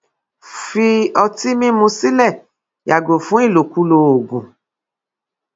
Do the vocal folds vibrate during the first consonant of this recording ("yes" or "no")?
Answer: no